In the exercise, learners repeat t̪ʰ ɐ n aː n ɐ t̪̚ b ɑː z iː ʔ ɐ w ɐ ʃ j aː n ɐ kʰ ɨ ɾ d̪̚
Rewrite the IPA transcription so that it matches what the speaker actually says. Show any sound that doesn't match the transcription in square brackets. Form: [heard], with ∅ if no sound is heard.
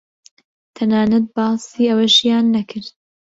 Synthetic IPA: t̪ʰ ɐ n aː n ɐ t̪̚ b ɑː [s] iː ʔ ɐ w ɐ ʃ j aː [nː] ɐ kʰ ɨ ɾ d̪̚